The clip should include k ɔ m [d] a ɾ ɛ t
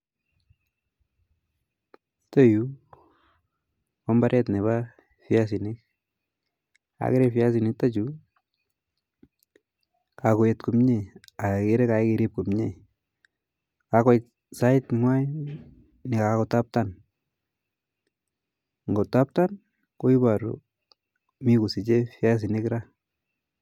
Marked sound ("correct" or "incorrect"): incorrect